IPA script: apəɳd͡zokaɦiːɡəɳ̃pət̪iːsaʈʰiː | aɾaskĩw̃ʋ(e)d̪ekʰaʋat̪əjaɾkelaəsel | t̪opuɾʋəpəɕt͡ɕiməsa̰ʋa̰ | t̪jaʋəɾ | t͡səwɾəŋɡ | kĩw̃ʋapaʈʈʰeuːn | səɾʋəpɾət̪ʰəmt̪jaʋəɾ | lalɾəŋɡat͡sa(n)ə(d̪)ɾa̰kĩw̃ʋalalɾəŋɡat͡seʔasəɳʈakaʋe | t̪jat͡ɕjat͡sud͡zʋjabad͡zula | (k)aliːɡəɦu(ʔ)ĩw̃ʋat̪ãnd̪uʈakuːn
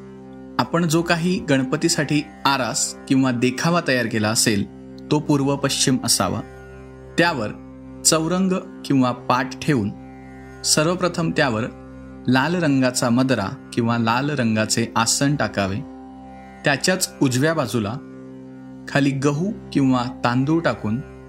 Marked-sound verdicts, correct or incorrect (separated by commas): incorrect, incorrect, correct, incorrect, incorrect